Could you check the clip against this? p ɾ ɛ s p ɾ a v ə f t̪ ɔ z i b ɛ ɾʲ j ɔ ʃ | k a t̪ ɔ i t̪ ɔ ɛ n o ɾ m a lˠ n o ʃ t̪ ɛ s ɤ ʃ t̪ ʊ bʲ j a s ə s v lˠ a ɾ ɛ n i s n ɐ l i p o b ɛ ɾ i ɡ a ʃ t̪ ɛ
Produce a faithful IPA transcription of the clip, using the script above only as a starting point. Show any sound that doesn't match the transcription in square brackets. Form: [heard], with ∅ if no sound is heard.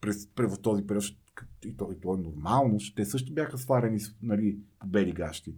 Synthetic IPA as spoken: p ɾ ɛ s p ɾ [ɛ] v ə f t̪ ɔ z i [p] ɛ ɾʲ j ɔ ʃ | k [i] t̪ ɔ i t̪ ɔ ɛ n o ɾ m a lˠ n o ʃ t̪ ɛ s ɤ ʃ t̪ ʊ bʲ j a [x] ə s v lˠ a ɾ ɛ n i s n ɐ l i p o b ɛ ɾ i ɡ a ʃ t̪ [i]